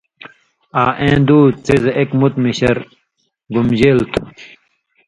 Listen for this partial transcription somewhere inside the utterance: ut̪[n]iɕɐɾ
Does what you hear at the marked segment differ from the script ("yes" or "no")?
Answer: yes